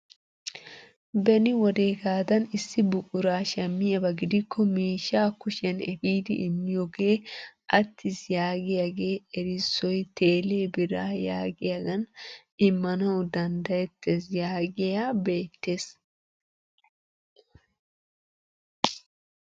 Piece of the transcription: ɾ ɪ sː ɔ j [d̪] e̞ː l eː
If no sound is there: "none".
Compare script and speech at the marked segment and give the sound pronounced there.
t̪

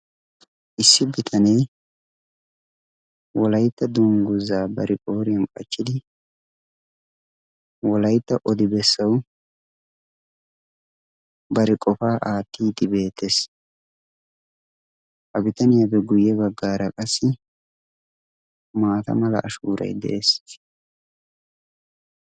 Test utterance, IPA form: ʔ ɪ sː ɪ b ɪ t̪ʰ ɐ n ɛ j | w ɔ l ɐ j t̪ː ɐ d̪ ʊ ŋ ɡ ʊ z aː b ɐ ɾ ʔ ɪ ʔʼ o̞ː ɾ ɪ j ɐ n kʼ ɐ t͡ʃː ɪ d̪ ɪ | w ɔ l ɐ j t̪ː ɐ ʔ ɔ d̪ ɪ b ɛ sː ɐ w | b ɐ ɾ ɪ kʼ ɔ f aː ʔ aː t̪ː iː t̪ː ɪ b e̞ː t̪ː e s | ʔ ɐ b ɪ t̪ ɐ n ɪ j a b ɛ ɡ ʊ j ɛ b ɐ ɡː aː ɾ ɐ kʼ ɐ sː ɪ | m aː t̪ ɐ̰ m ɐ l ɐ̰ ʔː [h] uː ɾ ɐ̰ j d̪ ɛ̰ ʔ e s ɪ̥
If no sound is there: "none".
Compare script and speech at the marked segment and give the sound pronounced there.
ʃ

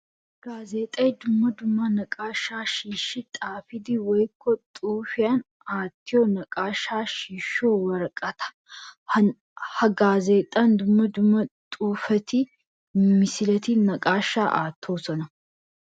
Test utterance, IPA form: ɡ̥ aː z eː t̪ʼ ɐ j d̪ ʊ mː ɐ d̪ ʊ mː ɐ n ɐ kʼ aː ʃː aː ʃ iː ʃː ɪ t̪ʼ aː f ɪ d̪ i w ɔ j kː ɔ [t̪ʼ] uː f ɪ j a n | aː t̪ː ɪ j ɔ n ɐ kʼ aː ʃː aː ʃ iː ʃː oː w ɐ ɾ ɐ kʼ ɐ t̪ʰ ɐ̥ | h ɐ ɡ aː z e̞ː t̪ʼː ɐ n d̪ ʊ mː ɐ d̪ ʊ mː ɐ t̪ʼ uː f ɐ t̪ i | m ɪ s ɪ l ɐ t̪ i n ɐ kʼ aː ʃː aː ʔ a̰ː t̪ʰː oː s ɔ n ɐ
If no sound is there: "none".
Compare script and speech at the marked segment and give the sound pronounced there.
t̪ʼ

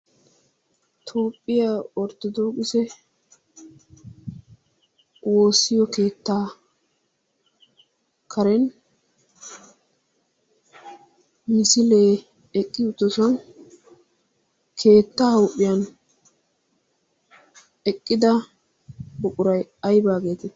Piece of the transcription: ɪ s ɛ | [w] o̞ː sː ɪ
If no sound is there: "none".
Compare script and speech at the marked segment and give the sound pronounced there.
w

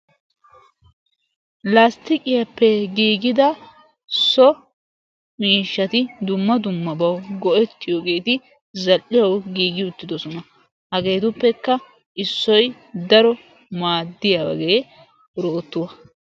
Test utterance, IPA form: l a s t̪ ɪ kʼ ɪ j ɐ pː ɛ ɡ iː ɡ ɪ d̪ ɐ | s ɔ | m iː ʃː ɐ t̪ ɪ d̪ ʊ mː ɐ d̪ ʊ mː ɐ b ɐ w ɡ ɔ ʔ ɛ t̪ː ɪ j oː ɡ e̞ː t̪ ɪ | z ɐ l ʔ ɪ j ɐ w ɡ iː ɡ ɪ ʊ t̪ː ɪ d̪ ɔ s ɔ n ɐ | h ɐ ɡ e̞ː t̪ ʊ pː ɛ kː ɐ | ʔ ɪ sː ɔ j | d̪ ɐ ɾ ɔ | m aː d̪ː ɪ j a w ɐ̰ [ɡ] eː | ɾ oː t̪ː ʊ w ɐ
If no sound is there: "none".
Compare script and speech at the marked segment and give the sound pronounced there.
ɡ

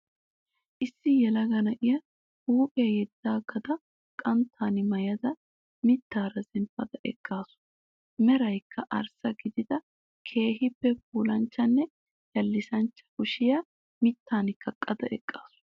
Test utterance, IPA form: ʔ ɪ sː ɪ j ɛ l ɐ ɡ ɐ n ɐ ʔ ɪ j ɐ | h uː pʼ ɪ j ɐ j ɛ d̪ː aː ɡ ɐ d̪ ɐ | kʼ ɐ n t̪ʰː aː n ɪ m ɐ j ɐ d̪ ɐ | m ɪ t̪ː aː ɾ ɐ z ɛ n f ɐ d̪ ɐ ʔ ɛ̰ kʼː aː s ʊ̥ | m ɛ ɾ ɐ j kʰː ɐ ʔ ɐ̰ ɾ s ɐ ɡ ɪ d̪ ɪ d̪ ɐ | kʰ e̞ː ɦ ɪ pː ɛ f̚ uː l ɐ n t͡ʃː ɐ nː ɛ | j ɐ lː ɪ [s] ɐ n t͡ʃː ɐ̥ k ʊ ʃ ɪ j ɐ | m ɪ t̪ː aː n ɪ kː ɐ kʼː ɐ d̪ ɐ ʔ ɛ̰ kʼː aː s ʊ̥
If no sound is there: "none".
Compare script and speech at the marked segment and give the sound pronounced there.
s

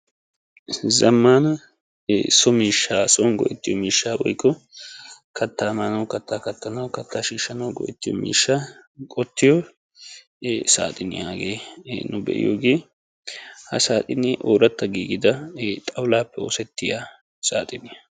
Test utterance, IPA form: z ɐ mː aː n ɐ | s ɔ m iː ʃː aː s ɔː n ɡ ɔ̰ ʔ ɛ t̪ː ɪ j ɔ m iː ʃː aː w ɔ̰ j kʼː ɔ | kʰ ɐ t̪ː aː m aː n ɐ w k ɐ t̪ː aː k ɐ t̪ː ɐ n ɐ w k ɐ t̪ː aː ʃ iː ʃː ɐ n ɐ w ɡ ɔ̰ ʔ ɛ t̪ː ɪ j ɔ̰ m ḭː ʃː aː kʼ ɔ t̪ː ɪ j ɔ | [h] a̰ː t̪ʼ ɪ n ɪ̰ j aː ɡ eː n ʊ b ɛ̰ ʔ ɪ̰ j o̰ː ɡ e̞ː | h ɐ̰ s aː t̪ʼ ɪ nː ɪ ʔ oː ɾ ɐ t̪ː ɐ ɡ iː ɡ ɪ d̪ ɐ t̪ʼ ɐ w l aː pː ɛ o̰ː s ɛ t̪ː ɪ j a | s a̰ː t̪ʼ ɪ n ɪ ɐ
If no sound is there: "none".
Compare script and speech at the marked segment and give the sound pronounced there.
s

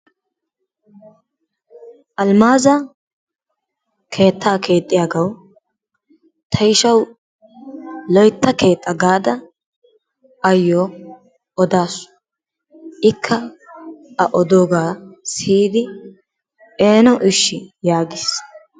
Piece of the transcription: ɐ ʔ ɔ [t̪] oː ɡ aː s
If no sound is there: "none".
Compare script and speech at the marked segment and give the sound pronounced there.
d̪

